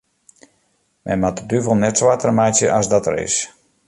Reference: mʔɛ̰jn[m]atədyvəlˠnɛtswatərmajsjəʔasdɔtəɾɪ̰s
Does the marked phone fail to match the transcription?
no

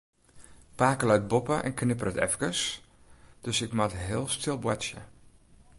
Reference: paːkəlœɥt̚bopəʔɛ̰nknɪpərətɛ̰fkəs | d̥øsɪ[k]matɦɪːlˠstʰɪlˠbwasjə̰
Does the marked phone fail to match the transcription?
no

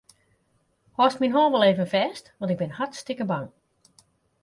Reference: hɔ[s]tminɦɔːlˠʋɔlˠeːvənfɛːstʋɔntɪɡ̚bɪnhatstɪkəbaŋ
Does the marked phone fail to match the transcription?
no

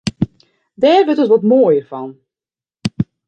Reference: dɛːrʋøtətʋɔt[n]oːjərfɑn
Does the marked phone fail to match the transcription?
yes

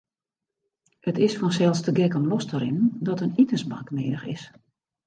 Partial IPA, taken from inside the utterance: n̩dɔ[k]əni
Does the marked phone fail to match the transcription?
yes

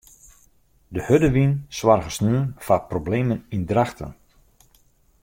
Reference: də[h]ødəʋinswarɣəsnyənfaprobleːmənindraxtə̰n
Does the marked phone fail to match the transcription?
no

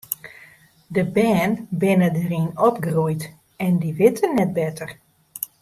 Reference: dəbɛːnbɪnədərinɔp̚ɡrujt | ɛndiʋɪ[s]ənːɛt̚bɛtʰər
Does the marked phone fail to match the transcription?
yes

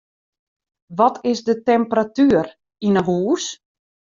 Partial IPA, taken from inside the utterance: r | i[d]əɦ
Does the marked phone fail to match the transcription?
yes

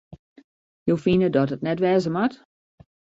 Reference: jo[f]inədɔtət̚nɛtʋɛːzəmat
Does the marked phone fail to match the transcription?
no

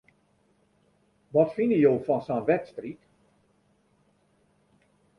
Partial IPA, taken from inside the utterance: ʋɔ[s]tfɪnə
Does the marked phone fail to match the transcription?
yes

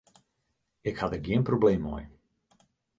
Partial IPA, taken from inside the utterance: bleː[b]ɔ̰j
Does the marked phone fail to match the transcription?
yes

